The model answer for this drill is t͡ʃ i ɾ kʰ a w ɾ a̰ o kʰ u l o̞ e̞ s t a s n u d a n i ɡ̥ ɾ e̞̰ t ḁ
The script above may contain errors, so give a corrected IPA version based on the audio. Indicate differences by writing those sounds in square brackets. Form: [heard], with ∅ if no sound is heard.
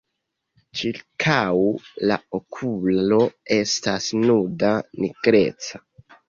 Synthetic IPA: t͡ʃ i ɾ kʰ a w [l] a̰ o kʰ u l o̞ e̞ s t a s n u d a n i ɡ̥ ɾ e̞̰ [t͡s] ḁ